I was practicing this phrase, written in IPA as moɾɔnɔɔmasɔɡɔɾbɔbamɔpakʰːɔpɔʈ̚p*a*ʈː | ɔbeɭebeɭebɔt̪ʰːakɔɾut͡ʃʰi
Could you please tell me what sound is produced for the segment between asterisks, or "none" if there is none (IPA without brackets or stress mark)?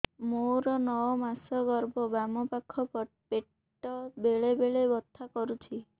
e